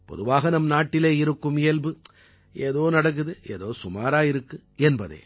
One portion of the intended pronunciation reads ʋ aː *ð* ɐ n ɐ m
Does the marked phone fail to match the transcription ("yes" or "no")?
yes